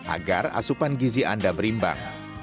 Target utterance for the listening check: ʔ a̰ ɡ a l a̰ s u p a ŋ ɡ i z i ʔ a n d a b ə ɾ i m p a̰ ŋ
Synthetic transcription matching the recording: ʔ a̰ ɡ a r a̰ s u p a n ɡ i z i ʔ a n d a b ə ɾ i m b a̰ ŋ